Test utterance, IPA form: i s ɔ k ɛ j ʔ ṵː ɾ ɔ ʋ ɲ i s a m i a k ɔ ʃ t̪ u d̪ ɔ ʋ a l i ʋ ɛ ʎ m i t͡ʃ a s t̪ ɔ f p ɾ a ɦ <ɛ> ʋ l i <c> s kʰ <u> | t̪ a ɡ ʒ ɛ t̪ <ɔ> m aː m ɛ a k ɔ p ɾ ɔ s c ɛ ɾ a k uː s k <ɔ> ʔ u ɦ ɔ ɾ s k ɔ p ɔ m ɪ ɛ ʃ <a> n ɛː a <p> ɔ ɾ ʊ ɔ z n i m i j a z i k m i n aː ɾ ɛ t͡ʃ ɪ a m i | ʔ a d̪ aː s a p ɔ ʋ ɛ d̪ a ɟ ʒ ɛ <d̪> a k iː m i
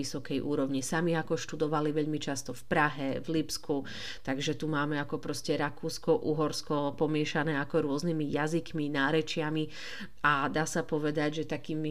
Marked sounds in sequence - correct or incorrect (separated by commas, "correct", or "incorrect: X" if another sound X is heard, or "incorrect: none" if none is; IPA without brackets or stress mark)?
correct, incorrect: p, correct, incorrect: u, correct, correct, incorrect: k, incorrect: t̪